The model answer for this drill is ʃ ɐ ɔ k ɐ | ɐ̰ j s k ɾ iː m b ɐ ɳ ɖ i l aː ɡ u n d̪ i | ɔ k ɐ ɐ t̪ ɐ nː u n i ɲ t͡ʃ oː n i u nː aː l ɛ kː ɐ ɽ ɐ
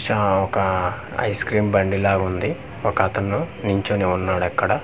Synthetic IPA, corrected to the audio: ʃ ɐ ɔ k ɐ | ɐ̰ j s k ɾ iː m b ɐ ɳ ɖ i l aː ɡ u n d̪ i | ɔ k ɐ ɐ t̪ ɐ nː u n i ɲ t͡ʃ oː n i u nː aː ɽ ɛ kː ɐ ɽ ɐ

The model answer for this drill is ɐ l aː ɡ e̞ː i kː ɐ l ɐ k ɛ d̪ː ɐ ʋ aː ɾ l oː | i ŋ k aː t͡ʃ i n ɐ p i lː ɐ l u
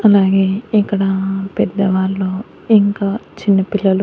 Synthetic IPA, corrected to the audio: ɐ l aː ɡ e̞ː i kː ɐ ɽ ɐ p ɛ d̪ː ɐ ʋ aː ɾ l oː | i ŋ k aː t͡ʃ i nː ɐ p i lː ɐ l u

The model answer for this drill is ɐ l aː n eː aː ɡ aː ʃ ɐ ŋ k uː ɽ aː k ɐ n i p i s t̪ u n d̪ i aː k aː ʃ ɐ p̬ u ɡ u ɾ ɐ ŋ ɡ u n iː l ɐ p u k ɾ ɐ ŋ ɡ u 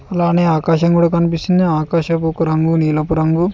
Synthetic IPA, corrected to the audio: ɐ l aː n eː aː k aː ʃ ɐ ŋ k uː ɽ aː k ɐ n i p i s t̪ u n d̪ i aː k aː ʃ ɐ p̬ u k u ɾ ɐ ŋ ɡ u n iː l ɐ p u ɾ ɐ ŋ ɡ u

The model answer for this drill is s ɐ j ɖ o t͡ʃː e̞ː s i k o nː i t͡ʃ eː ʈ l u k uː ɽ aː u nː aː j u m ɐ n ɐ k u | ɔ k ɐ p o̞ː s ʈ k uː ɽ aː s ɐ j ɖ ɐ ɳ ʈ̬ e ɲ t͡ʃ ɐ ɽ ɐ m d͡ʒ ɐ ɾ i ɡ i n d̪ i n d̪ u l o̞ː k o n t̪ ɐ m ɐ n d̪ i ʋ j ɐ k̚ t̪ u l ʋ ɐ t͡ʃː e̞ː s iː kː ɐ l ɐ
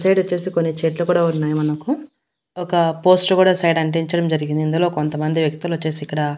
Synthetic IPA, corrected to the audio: s ɐ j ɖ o t͡ʃː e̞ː s i k o nː i t͡ʃ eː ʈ l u k uː ɽ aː u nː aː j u m ɐ n ɐ k u | ɔ k ɐ p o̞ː s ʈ k uː ɽ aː s ɐ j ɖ ɐ ɳ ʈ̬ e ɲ t͡ʃ ɐ ɽ ɐ m d͡ʒ ɐ ɾ i ɡ i n d̪ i n d̪ u l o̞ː k o n t̪ ɐ m ɐ n d̪ i ʋ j ɐ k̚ t̪ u l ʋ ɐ t͡ʃː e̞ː s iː kː ɐ ɽ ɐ

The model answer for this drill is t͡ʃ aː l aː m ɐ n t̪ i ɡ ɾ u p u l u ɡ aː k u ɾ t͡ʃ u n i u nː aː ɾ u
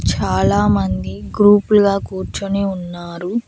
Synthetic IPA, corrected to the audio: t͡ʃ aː l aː m ɐ n d̪ i ɡ ɾ uː p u l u ɡ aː k uː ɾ t͡ʃ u n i u nː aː ɾ u

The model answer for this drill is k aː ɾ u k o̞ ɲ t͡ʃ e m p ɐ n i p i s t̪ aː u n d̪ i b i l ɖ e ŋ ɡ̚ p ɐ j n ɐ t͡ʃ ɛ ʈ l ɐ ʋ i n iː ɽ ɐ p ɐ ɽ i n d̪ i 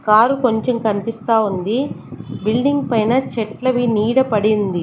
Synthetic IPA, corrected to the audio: k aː ɾ u k o̞ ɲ t͡ʃ e m k ɐ n i p i s t̪ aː u n d̪ i b i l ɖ i ŋ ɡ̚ p ɐ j n ɐ t͡ʃ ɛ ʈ l ɐ ʋ i n iː ɽ ɐ p ɐ ɽ i n d̪ i

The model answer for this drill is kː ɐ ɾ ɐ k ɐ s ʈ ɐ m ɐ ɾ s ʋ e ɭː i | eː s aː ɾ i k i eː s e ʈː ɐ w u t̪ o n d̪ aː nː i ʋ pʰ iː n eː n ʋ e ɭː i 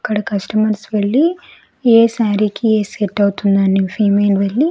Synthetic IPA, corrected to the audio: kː ɐ ɽ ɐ k ɐ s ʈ ɐ m ɐ ɾ s ʋ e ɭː i | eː s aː ɾ i k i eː s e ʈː ɐ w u t̪ u n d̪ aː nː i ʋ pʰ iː m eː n ʋ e ɭː i

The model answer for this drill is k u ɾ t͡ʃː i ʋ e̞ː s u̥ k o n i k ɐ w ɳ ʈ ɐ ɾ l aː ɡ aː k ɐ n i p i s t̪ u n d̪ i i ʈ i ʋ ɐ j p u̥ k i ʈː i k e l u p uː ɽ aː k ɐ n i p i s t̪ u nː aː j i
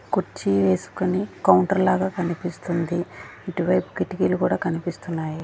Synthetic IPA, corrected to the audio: k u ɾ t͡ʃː i ʋ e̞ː s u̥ k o n i k ɐ w ɳ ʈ ɐ ɾ l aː ɡ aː k ɐ n i p i s t̪ u n d̪ i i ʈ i ʋ ɐ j p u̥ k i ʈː i k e l u k uː ɽ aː k ɐ n i p i s t̪ u nː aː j i

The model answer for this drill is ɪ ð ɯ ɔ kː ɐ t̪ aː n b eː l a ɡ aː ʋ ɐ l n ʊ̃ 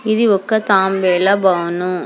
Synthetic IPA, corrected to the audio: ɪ ð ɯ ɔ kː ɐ t̪ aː m b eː l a b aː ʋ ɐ n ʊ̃

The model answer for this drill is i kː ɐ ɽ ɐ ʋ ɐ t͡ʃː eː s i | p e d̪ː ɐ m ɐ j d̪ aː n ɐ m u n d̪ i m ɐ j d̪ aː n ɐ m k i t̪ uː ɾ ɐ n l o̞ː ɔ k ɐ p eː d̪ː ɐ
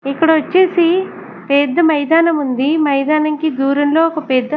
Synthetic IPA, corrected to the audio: i kː ɐ ɽ ɐ ʋ ɐ t͡ʃː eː s i | p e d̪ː ɐ m ɐ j d̪ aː n ɐ m u n d̪ i m ɐ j d̪ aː n ɐ ŋ k i d̪ uː ɾ ɐ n l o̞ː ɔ k ɐ p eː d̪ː ɐ

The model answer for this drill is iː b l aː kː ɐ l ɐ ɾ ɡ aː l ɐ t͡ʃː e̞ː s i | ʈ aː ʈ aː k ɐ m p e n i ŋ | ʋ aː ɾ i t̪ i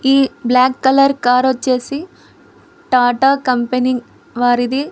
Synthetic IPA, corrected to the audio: iː b l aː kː ɐ l ɐ ɾ k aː ɾ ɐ t͡ʃː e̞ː s i | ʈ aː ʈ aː k ɐ m p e n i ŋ | ʋ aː ɾ i d̪ i

